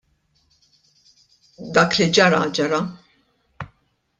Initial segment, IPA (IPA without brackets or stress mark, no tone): d̪